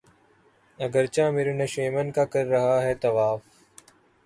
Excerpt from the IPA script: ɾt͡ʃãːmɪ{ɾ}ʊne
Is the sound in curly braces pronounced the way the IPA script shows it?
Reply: yes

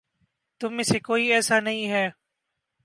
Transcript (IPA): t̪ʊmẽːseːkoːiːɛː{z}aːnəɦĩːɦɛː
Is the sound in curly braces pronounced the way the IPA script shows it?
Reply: no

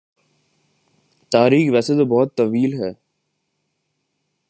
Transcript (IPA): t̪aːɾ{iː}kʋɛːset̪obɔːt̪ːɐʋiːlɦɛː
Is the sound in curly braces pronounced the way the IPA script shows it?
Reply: yes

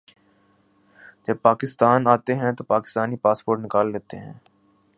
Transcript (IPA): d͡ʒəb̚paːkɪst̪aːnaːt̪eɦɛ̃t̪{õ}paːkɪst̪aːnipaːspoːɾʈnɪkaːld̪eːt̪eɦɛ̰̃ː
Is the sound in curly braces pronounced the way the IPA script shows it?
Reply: no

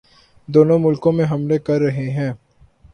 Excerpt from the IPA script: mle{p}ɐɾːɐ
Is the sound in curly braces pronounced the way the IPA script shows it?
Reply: no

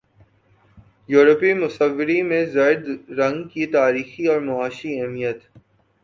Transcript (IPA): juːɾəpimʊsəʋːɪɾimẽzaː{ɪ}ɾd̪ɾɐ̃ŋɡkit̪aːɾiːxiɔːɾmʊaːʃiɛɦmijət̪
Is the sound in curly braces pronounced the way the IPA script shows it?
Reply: yes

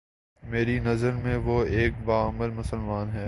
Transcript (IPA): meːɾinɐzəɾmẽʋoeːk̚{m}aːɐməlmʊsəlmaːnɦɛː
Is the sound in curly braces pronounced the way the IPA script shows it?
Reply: no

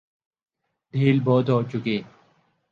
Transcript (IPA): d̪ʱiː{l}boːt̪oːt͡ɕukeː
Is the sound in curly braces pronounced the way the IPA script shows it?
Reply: yes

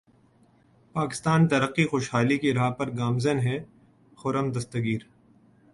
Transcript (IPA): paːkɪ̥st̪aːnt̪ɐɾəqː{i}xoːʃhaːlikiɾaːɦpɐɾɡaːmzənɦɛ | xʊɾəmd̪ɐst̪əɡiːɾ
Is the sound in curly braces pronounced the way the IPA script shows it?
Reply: yes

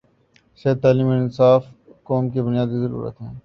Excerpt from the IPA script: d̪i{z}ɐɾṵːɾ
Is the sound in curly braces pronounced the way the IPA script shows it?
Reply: yes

